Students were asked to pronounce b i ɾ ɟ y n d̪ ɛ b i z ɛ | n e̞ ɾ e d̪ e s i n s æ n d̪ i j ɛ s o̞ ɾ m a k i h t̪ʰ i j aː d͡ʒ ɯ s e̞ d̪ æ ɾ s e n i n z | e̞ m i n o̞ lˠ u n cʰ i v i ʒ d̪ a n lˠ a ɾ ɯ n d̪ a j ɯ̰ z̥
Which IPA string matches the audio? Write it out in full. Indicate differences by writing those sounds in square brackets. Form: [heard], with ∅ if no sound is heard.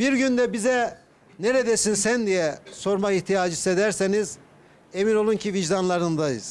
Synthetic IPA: b i ɾ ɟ y n d̪ ɛ b i z ɛ | n e̞ ɾ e d̪ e s i n s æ n d̪ i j ɛ s o̞ ɾ m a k i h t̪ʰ i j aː d͡ʒ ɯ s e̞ d̪ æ ɾ s e n i [∅] z | e̞ m i n o̞ lˠ u n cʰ i v i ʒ d̪ a n lˠ a ɾ ɯ n d̪ a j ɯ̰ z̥